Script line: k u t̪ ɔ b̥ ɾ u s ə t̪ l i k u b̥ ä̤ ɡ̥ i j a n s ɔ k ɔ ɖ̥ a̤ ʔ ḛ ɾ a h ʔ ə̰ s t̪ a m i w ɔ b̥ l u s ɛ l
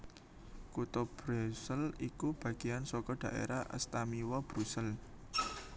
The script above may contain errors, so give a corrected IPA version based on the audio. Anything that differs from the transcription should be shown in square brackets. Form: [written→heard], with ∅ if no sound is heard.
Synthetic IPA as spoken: k u t̪ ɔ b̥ ɾ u s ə [t̪→∅] l i k u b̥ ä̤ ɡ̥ i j a n s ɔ k ɔ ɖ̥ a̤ ʔ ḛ ɾ a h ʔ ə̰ s t̪ a m i w ɔ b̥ [l→ɾ] u s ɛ l